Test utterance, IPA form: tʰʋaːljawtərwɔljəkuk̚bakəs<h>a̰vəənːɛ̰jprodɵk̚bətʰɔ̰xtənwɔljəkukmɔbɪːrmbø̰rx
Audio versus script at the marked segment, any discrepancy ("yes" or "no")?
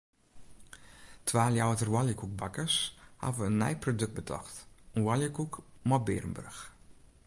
no